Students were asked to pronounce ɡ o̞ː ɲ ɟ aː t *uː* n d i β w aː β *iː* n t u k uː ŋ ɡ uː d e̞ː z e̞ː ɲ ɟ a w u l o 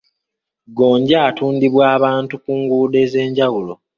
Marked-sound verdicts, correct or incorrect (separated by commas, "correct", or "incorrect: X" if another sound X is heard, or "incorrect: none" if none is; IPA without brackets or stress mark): correct, incorrect: aː